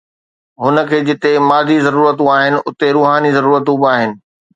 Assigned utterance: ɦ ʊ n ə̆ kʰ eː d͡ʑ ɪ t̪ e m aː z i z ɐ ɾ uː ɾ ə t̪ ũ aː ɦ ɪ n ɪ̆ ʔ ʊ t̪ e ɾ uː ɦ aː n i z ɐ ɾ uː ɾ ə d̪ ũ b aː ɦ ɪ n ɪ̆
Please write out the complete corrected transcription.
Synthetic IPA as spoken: ɦ ʊ n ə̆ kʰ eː d͡ʑ ɪ t̪ e m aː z i z ɐ ɾ uː ɾ ə t̪ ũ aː ɦ ɪ n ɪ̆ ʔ ʊ t̪ e ɾ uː ɦ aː n i z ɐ ɾ uː ɾ ə t̪ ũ b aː ɦ ɪ n ɪ̆